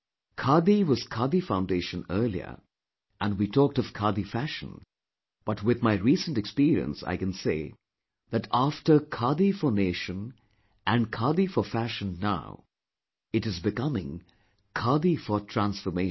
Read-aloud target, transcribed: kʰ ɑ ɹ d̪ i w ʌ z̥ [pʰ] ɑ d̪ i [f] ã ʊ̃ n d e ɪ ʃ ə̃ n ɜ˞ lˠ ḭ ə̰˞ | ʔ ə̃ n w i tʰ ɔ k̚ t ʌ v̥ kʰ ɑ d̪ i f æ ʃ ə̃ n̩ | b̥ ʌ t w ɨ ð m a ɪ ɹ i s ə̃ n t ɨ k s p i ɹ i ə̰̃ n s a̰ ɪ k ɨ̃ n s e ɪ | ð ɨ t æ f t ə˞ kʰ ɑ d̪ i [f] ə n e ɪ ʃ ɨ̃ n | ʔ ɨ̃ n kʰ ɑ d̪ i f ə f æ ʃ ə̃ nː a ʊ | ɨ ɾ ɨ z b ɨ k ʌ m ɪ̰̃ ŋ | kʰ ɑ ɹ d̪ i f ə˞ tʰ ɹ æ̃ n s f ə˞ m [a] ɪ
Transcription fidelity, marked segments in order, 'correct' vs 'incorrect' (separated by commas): incorrect, correct, correct, incorrect